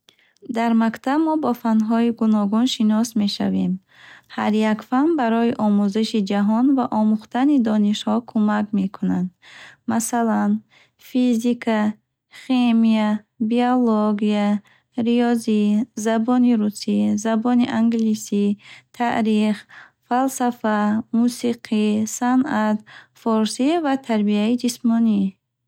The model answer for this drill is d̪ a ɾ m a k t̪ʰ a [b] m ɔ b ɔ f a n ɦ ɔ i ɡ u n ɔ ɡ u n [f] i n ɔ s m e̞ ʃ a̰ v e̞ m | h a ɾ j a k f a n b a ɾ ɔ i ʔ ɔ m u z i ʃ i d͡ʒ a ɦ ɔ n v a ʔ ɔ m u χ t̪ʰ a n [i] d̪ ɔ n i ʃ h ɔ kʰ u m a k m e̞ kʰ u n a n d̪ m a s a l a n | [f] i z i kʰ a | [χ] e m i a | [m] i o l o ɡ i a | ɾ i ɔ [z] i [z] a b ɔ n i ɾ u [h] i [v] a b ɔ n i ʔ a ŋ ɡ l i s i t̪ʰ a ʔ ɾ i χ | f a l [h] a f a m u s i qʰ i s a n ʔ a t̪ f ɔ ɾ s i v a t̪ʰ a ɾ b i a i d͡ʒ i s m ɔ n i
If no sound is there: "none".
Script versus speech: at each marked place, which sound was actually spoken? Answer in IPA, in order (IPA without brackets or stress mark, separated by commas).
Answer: b, ʃ, i, f, χ, b, z, z, s, z, s